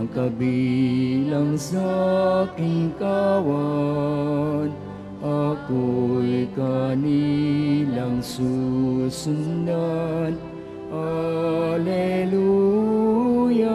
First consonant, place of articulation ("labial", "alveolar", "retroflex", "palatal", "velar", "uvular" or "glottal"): velar